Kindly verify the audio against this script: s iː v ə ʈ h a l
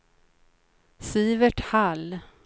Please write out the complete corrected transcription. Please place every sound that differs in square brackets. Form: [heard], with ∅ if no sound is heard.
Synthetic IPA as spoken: s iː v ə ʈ h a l